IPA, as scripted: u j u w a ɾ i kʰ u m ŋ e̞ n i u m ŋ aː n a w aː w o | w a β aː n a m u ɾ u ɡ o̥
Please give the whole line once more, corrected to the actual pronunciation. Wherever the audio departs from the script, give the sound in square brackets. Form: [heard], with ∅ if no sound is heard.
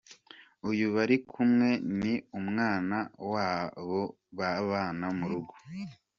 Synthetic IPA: u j u [β] a ɾ i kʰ u m ŋ e̞ n i u m ŋ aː n a w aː [β] o | [β] a β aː n a m u ɾ u ɡ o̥